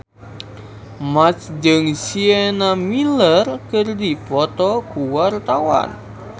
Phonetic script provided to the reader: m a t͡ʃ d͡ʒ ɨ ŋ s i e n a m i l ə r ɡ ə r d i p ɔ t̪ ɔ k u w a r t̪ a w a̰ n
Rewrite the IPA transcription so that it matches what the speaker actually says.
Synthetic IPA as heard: m a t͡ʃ d͡ʒ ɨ ŋ s i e n a m i l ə r k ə r d i p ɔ t̪ ɔ k u w a r t̪ a w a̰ n